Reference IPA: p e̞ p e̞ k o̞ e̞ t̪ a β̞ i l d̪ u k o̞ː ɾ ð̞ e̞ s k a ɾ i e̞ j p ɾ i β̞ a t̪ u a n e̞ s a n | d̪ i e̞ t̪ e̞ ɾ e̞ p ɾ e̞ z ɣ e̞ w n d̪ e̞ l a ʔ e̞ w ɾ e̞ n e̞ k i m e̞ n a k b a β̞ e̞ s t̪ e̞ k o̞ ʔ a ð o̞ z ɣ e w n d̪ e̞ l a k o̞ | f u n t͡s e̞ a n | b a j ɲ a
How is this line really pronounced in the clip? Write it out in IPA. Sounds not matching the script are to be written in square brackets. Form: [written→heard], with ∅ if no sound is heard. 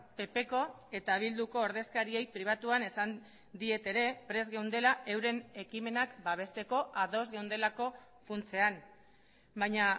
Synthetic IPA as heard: p e̞ p e̞ k o̞ e̞ t̪ a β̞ i l d̪ u k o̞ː ɾ ð̞ e̞ s k a ɾ i e̞ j p ɾ i β̞ a t̪ u a n e̞ s a n | d̪ i e̞ t̪ e̞ ɾ e̞ p ɾ e̞ z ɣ e̞ w n d̪ e̞ l a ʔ e̞ w ɾ e̞ n e̞ k i m e̞ n a k b a β̞ e̞ s t̪ e̞ k o̞ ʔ a ð o̞ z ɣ e w n d̪ e̞ l a k o̞ | f u n t͡s e̞ a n | b a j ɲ a